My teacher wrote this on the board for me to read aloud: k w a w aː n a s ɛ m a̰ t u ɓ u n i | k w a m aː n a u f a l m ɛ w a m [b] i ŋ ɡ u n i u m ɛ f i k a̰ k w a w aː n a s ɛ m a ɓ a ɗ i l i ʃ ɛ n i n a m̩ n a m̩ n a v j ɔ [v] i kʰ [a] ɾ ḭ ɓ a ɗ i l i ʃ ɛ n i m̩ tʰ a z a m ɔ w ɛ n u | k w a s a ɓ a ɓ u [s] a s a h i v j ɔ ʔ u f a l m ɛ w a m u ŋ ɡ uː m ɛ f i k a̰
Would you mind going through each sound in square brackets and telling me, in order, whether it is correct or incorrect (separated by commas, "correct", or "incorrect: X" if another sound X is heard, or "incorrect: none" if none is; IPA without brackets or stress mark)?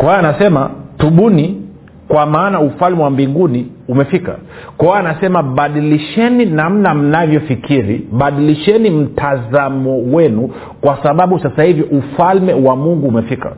correct, incorrect: f, incorrect: i, correct